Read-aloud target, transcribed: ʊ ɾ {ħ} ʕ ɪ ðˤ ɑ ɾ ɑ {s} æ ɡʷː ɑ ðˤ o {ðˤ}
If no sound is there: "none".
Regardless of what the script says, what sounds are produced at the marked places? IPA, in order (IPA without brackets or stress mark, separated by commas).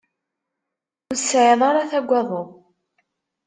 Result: s, θ, none